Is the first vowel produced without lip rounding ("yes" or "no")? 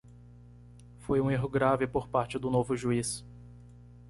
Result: no